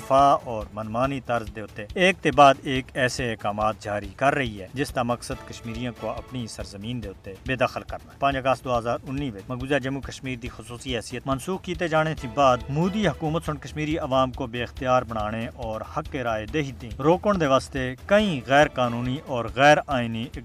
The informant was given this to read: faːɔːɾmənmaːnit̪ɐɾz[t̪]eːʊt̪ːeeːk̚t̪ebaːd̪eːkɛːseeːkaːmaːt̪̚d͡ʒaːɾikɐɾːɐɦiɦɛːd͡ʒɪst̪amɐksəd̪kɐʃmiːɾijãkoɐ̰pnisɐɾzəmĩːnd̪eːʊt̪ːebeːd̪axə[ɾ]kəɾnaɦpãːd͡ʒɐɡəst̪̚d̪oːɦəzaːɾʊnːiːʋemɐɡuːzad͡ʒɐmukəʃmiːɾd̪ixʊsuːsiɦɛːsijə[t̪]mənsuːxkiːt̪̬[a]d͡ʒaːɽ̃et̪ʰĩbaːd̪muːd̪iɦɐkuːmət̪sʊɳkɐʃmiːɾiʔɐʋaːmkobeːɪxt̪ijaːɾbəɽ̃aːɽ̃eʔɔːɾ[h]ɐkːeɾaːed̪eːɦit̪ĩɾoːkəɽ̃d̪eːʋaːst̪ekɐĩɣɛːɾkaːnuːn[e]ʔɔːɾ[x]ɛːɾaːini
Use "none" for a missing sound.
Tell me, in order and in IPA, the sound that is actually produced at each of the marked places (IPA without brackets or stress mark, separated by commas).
d̪, l, t̪, e, h, i, ɣ